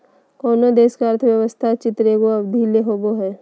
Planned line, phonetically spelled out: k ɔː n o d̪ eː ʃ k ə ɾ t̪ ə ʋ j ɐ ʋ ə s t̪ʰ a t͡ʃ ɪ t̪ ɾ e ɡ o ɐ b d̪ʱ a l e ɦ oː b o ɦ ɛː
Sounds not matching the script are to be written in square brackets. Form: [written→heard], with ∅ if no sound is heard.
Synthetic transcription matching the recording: k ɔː n o d̪ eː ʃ k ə ɾ [t̪→t̪ʰ] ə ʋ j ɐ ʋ ə s t̪ʰ a t͡ʃ ɪ t̪ ɾ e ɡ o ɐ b d̪ʱ [a→i] l e ɦ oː b o ɦ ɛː